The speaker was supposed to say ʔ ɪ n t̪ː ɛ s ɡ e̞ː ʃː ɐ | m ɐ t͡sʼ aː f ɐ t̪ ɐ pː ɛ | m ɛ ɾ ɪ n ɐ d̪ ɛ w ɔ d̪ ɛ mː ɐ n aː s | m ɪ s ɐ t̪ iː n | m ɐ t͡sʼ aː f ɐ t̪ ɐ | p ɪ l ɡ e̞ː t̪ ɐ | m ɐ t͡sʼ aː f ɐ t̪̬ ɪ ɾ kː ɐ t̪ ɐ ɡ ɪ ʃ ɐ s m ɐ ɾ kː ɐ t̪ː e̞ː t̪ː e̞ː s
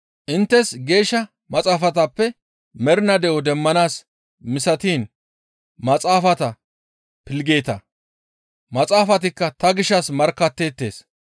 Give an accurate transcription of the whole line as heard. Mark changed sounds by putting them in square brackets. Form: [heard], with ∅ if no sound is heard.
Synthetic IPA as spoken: ʔ ɪ n t̪ː ɛ s ɡ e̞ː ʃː ɐ | m ɐ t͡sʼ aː f ɐ t̪ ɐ pː ɛ | m ɛ ɾ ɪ n ɐ d̪ ɛ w ɔ d̪ ɛ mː ɐ n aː s | m ɪ s ɐ t̪ iː n | m ɐ t͡sʼ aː f ɐ t̪ ɐ | p ɪ l ɡ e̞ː t̪ ɐ | m ɐ t͡sʼ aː f ɐ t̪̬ ɪ [∅] kː ɐ t̪ ɐ ɡ ɪ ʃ ɐ s m ɐ ɾ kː ɐ t̪ː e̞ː t̪ː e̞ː s

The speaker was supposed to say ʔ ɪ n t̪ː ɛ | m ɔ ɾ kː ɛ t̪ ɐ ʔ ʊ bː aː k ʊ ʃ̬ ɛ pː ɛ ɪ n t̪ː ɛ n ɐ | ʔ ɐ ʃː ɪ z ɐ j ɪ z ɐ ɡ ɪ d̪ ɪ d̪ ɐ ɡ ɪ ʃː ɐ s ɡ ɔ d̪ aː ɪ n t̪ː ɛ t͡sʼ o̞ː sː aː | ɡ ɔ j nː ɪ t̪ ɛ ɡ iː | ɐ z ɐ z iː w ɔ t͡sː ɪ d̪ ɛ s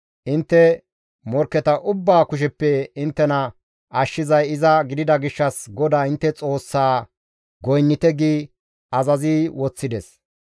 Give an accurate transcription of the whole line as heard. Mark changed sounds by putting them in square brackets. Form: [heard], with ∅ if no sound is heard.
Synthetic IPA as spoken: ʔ ɪ n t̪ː ɛ | m ɔ ɾ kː ɛ t̪ ɐ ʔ ʊ bː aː k ʊ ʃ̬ ɛ pː ɛ ɪ n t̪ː ɛ n ɐ | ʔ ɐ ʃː ɪ z ɐ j ɪ z ɐ ɡ ɪ d̪ ɪ d̪ ɐ ɡ ɪ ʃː ɐ s ɡ ɔ d̪ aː ɪ n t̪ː ɛ t͡sʼ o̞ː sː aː | ɡ ɔ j nː ɪ t̪ ɛ ɡ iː | ɐ z ɐ z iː w ɔ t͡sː ɪ d̪ ɛ s

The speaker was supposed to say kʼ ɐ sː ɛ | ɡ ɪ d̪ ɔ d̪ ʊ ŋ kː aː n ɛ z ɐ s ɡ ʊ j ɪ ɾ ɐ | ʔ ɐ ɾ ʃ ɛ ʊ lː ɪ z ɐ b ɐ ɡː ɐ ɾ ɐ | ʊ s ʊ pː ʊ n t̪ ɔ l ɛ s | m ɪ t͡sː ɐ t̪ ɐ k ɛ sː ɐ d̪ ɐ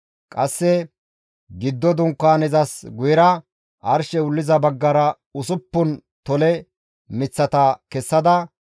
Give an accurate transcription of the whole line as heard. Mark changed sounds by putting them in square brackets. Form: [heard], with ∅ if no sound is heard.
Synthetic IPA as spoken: kʼ ɐ sː ɛ | ɡ ɪ [d̪ː] ɔ d̪ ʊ ŋ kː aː n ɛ z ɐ s ɡ ʊ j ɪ ɾ ɐ | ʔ ɐ ɾ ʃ ɛ ʊ lː ɪ z ɐ b ɐ ɡː ɐ ɾ ɐ | ʊ s ʊ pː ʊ n t̪ ɔ l ɛ [∅] | m ɪ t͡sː ɐ t̪ ɐ k ɛ sː ɐ d̪ ɐ

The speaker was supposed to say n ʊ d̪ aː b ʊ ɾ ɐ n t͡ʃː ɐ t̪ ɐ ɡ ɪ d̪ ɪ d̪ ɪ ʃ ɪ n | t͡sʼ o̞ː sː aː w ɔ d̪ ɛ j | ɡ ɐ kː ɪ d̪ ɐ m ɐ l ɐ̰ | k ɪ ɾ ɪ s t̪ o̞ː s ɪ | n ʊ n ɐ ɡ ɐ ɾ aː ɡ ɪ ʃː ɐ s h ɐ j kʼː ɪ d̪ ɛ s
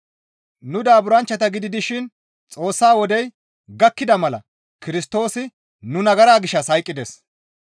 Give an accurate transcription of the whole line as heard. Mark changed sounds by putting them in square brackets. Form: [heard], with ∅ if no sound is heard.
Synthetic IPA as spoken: n ʊ d̪ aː b ʊ ɾ ɐ n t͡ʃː ɐ t̪ ɐ ɡ ɪ d̪ ɪ d̪ ɪ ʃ ɪ n | t͡sʼ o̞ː sː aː w ɔ d̪ ɛ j | ɡ ɐ kː ɪ d̪ ɐ m ɐ l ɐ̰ | k ɪ ɾ ɪ s t̪ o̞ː s ɪ | n ʊ n ɐ ɡ ɐ ɾ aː ɡ ɪ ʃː ɐ s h ɐ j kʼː ɪ d̪ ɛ s

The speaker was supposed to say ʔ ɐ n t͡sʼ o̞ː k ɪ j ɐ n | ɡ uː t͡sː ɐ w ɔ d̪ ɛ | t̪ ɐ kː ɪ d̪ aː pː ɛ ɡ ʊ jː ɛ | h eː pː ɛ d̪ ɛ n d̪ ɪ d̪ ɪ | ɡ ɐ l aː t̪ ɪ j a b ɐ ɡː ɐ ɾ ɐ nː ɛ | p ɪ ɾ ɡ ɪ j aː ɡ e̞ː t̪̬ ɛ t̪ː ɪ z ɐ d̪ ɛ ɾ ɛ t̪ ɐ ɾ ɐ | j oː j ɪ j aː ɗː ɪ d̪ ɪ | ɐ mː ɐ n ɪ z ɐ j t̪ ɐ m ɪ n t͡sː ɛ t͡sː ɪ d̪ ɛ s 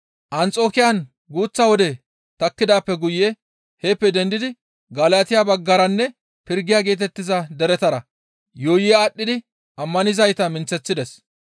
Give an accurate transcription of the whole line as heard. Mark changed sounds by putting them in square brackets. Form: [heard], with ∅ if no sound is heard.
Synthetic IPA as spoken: ʔ ɐ n t͡sʼ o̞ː k ɪ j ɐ n | ɡ uː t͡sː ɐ w ɔ d̪ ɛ | t̪ ɐ kː ɪ d̪ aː pː ɛ ɡ ʊ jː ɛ | h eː pː ɛ d̪ ɛ n d̪ ɪ d̪ ɪ | ɡ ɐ l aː t̪ ɪ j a b ɐ ɡː ɐ ɾ ɐ nː ɛ | p ɪ ɾ ɡ ɪ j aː ɡ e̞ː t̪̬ ɛ t̪ː ɪ z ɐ d̪ ɛ ɾ ɛ t̪ ɐ ɾ ɐ | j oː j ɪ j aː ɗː ɪ d̪ ɪ | ɐ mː ɐ n ɪ z ɐ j t̪ ɐ m ɪ n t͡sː ɛ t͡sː ɪ d̪ ɛ s

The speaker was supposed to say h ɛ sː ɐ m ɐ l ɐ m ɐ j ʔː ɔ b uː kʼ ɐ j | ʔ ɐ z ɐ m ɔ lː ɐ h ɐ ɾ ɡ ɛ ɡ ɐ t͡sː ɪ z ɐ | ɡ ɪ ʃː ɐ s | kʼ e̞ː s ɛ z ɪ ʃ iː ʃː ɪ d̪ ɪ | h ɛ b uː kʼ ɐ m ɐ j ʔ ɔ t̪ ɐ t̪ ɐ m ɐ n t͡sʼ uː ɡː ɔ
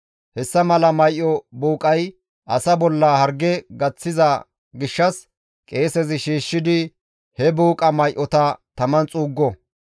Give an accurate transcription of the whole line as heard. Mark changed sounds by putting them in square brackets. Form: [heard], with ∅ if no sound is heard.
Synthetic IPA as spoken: h ɛ sː ɐ m ɐ l ɐ m ɐ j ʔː ɔ b uː kʼ ɐ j | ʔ ɐ [s] ɐ [b] ɔ lː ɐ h ɐ ɾ ɡ ɛ ɡ ɐ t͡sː ɪ z ɐ | ɡ ɪ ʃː ɐ s | kʼ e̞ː s ɛ z ɪ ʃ iː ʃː ɪ d̪ ɪ | h ɛ b uː kʼ ɐ m ɐ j ʔ ɔ t̪ ɐ t̪ ɐ m ɐ n t͡sʼ uː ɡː ɔ

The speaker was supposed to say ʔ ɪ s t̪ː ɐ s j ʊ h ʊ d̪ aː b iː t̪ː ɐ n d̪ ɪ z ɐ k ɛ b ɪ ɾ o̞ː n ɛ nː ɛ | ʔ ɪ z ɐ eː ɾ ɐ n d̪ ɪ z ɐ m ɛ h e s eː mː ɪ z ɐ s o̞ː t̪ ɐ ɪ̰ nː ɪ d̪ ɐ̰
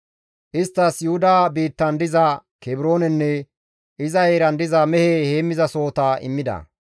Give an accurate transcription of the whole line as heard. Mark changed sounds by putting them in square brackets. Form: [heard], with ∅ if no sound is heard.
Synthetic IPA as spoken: ʔ ɪ s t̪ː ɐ s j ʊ h ʊ d̪ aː b iː t̪ː ɐ n d̪ ɪ z ɐ k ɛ b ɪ ɾ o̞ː n ɛ nː ɛ | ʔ ɪ z ɐ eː ɾ ɐ n d̪ ɪ z ɐ m ɛ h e [h] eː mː ɪ z ɐ s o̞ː t̪ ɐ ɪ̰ [mː] ɪ d̪ ɐ̰

